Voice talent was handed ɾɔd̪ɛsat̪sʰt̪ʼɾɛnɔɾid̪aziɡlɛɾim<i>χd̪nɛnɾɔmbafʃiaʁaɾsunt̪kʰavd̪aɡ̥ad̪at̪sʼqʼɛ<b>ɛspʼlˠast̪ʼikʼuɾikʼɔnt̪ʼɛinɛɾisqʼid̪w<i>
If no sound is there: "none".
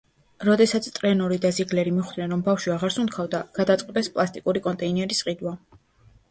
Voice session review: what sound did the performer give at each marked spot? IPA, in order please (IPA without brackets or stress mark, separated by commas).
i, b, a